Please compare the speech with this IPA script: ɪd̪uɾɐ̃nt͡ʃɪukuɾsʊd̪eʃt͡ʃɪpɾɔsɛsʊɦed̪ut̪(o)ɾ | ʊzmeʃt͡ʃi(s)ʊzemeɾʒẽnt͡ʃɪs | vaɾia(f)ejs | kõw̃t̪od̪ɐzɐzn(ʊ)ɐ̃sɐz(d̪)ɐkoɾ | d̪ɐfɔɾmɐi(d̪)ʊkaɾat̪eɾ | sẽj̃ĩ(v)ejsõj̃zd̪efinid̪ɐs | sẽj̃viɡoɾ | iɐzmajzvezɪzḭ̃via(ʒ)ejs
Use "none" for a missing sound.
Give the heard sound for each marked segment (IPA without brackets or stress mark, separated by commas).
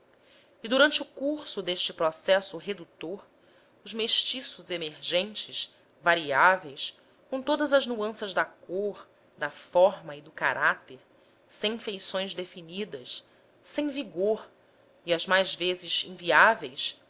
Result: o, s, v, u, d̪, d̪, f, v